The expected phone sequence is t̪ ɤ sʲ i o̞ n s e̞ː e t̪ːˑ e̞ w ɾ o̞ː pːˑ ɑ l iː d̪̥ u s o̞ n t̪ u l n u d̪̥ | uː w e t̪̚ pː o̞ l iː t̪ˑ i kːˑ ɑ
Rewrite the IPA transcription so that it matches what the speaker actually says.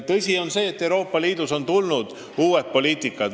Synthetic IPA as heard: t̪ ɤ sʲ i o̞ n s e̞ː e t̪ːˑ e̞ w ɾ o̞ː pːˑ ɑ l iː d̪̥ u s o̞ n t̪ u l n u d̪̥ | uː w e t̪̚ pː o̞ l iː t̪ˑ i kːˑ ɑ